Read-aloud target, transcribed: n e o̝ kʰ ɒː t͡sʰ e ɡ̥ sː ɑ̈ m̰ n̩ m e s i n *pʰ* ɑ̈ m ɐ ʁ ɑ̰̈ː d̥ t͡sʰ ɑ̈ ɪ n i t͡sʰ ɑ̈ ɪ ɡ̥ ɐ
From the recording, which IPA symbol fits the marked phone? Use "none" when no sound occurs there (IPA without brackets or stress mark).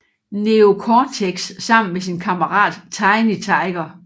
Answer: kʰ